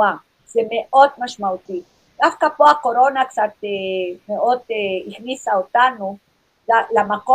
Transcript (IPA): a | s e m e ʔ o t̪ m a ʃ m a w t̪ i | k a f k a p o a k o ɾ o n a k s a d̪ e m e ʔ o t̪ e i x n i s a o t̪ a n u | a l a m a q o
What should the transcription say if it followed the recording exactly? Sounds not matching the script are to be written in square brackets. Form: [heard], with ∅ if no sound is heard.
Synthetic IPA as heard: a | s e m e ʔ o t̪ m a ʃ m a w t̪ i | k a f k a p o a k o ɾ o n a k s a [t̪] e m e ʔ o t̪ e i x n i s a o t̪ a n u | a l a m a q o